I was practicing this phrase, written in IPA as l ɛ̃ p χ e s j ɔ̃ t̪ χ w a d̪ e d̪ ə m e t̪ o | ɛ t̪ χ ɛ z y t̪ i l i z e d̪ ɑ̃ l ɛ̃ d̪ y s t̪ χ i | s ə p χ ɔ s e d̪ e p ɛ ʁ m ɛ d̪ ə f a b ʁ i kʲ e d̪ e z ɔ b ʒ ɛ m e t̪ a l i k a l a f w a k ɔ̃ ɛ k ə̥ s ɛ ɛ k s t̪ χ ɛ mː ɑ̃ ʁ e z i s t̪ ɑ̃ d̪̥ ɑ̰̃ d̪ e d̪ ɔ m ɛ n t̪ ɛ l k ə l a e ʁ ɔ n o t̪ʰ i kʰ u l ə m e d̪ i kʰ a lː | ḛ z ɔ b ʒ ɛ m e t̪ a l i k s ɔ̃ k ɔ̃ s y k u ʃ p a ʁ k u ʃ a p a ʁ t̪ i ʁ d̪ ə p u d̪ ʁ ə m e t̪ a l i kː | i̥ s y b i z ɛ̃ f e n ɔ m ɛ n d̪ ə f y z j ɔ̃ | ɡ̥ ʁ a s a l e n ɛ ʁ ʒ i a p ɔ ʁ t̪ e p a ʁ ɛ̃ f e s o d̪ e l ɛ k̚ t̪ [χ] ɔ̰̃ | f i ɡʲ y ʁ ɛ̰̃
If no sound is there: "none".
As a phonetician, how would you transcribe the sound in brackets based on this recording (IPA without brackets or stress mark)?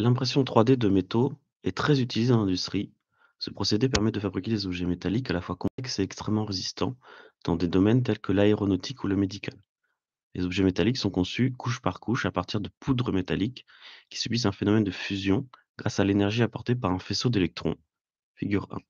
χ